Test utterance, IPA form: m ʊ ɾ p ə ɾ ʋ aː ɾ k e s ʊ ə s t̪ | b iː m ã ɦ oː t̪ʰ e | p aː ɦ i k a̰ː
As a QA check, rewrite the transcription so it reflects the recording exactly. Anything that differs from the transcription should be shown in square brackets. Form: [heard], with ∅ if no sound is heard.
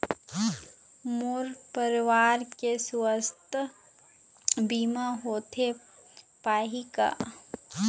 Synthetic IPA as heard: m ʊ ɾ p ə ɾ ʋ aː ɾ k e s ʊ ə s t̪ | b iː m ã ɦ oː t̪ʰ e | p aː ɦ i k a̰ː